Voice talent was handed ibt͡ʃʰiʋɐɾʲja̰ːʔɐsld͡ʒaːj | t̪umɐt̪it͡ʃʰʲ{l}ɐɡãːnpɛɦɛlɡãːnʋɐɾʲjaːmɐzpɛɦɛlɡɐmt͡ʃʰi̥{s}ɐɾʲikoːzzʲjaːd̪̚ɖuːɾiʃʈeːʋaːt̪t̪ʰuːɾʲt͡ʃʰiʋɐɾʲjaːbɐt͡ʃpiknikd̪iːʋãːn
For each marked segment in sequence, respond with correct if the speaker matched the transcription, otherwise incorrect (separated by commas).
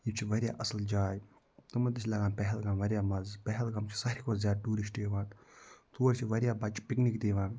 correct, correct